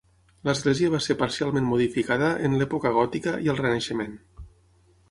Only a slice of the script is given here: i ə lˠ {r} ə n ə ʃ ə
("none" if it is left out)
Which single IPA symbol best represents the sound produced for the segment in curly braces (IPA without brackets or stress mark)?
r